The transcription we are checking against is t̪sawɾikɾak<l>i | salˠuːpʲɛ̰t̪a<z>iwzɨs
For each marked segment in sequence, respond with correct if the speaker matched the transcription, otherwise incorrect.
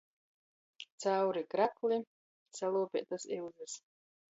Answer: correct, incorrect

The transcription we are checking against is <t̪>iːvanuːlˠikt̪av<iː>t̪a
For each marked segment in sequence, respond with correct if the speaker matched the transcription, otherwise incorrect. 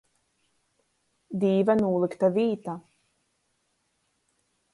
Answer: incorrect, correct

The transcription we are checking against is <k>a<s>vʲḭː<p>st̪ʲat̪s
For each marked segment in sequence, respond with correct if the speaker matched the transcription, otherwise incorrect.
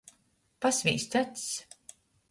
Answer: incorrect, correct, incorrect

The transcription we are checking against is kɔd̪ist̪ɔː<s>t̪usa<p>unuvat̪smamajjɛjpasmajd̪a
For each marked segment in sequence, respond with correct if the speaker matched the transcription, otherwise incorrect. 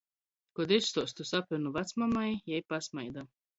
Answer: correct, correct

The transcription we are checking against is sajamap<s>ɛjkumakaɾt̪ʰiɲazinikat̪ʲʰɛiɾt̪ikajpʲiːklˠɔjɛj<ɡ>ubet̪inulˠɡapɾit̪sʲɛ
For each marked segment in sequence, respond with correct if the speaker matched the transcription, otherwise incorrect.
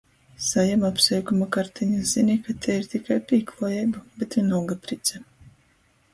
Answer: correct, incorrect

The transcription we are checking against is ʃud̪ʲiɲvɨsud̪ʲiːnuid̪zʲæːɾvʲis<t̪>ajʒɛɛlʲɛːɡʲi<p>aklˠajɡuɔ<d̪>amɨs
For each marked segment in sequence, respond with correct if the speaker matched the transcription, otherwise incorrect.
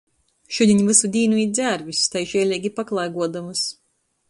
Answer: correct, correct, correct

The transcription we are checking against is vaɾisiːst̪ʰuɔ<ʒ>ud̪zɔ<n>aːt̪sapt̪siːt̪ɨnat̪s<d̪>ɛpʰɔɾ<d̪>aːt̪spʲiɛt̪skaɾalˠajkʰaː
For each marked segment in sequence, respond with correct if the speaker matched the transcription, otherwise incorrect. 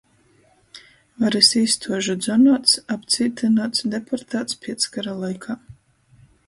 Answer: correct, correct, correct, incorrect

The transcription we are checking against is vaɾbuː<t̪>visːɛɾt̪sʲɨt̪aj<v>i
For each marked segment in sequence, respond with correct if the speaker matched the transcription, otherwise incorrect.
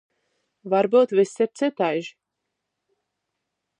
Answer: correct, incorrect

